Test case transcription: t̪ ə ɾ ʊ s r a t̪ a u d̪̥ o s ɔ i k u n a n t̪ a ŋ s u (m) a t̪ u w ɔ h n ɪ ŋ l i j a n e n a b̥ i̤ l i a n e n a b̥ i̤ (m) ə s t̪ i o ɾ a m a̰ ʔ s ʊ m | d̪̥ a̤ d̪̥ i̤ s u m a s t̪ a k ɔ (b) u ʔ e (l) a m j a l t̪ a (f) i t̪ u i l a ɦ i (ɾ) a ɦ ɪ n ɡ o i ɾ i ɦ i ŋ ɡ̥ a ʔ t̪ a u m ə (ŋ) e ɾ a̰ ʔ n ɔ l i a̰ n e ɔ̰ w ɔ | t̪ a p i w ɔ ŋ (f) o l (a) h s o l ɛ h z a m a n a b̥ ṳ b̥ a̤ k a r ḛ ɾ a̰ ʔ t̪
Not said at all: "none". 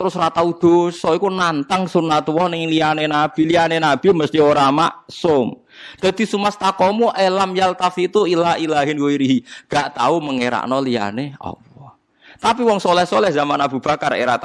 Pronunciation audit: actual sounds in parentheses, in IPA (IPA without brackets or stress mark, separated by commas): n, m, m, l, f, l, ŋ, s, ɛ